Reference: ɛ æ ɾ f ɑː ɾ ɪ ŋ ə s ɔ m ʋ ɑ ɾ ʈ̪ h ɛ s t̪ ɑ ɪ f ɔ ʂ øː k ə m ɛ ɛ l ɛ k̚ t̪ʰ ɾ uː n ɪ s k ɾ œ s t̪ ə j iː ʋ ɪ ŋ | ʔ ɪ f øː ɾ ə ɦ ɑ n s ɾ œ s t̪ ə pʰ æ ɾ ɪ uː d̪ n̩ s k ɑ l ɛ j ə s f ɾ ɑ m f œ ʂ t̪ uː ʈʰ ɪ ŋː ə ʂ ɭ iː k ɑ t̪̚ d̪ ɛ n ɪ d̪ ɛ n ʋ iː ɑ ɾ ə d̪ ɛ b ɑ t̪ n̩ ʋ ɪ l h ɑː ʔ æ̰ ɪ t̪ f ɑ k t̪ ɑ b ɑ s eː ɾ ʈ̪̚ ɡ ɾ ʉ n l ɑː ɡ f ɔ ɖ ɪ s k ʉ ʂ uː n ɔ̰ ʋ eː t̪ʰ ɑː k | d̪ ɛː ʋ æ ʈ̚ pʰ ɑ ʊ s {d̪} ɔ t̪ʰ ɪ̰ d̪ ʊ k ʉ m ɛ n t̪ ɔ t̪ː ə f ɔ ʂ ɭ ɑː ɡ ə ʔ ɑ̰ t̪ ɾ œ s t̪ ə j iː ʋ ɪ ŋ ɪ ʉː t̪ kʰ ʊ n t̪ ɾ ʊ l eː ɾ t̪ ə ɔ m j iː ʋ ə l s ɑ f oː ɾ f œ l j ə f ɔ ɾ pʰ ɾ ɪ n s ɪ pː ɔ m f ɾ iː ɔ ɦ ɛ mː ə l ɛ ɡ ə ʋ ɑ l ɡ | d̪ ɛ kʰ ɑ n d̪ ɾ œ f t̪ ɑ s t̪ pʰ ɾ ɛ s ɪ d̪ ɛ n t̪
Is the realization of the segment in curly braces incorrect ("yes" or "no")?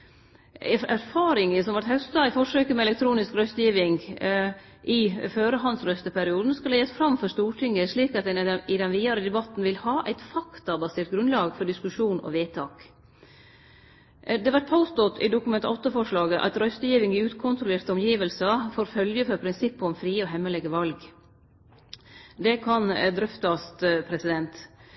yes